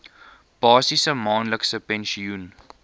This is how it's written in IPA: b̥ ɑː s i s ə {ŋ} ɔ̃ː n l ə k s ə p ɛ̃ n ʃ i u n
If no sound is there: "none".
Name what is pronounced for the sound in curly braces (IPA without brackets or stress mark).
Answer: m